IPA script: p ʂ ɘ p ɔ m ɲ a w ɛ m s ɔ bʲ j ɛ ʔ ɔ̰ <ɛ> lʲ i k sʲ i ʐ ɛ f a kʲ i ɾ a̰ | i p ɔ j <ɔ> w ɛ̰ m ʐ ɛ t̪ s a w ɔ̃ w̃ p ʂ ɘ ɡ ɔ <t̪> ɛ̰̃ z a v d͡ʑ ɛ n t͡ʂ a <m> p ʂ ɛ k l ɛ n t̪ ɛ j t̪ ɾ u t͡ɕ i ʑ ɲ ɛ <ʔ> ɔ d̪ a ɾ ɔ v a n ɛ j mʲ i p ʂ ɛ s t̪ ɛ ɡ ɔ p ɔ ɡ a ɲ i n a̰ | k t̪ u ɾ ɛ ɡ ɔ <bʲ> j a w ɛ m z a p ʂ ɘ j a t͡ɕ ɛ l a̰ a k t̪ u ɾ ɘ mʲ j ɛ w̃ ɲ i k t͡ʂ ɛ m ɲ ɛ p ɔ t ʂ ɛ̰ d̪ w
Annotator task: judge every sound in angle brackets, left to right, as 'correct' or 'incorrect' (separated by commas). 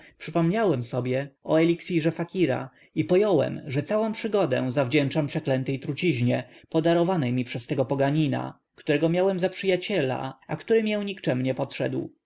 correct, correct, incorrect, correct, incorrect, incorrect